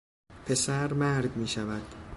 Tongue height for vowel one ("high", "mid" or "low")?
mid